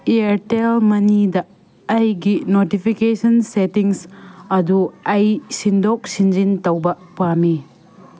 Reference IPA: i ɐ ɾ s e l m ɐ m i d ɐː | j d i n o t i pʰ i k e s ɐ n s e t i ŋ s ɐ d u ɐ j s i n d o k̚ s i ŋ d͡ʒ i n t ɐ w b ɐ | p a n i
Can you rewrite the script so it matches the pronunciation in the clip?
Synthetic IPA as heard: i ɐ ɾ t e l m ɐ n i d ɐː | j ɡ i n o t i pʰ i k e s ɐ n s e t i ŋ s ɐ d u ɐ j s i n d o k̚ s i n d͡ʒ i n t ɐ w b ɐ | p a m i